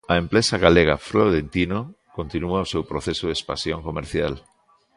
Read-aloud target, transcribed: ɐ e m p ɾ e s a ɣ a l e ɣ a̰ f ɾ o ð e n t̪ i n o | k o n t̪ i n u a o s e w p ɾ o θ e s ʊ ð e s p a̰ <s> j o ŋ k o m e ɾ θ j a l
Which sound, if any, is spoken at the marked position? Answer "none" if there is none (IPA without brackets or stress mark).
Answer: s